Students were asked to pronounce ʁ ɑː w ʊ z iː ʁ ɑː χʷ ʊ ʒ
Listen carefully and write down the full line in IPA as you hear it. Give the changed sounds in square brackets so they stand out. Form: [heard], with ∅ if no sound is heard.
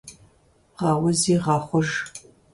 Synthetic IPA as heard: ʁ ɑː w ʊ z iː ʁ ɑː χʷ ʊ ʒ